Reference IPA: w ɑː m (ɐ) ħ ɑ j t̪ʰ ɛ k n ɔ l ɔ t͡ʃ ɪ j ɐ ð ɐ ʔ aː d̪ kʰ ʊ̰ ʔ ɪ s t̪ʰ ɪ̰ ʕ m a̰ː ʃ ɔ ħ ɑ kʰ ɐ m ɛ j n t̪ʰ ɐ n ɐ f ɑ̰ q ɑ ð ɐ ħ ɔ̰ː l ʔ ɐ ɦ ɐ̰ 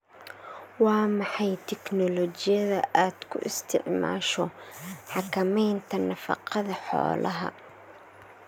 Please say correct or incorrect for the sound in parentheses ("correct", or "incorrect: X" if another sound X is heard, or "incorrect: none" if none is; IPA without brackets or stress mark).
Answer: incorrect: ɑ